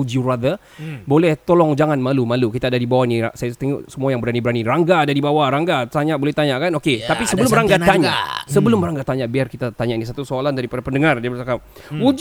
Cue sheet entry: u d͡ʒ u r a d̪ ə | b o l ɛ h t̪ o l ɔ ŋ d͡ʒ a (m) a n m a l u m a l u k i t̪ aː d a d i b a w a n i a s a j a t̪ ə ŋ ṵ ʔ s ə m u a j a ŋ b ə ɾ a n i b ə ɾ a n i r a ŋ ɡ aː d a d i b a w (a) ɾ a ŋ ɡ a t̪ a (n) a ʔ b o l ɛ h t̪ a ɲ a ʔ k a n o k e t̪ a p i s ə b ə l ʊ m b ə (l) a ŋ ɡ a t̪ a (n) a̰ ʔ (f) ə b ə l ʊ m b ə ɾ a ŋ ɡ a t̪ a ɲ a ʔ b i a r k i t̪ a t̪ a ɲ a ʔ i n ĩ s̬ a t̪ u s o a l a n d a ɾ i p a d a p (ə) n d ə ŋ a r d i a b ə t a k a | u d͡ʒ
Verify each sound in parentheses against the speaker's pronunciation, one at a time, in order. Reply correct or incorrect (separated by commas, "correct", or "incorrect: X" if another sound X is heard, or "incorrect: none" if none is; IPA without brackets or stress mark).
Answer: incorrect: ŋ, correct, incorrect: ɲ, incorrect: ɾ, incorrect: ɲ, incorrect: s, correct